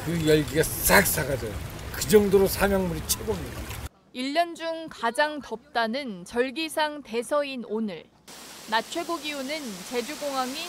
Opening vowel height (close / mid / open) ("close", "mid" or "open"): close